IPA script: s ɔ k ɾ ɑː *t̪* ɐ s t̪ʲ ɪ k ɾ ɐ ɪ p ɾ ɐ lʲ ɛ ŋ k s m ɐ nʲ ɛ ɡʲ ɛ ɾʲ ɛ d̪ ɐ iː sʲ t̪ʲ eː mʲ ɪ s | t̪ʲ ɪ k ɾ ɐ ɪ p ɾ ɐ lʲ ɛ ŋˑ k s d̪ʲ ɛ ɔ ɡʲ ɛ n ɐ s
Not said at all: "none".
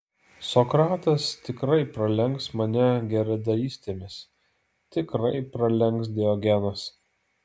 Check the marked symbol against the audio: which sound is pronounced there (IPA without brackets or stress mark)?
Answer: t̪